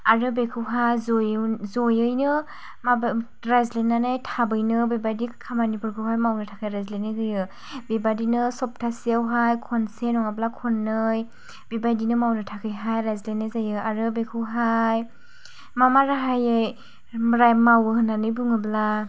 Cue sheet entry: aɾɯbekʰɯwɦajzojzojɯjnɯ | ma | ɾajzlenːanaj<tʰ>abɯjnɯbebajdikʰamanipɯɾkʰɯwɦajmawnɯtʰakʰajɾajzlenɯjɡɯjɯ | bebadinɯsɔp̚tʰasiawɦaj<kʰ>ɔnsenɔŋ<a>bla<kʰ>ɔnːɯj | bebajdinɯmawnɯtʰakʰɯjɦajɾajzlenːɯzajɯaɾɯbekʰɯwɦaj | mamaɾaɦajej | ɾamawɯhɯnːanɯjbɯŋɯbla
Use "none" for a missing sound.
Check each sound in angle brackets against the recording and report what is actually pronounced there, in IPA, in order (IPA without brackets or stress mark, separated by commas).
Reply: tʰ, kʰ, a, kʰ